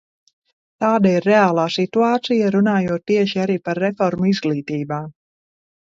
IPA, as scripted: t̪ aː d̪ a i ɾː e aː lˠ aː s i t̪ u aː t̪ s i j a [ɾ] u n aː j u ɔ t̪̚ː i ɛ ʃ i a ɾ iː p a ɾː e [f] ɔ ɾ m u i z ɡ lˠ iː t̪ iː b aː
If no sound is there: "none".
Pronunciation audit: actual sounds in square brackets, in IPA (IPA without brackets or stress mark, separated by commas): ɾ, f